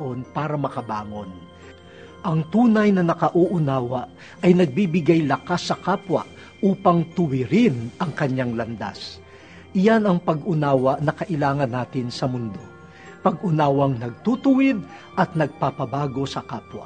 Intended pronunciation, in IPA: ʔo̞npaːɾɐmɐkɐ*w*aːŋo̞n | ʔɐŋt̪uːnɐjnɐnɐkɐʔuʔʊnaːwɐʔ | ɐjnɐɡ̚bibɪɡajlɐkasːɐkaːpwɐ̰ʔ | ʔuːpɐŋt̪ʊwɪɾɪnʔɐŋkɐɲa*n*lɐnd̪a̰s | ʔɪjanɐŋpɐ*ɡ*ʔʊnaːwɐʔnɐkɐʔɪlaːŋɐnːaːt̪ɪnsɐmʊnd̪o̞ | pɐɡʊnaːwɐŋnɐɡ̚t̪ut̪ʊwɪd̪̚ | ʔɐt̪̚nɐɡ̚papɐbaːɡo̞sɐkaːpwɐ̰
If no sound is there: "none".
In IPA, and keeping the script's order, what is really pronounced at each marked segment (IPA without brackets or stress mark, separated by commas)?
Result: b, ŋ, ɡ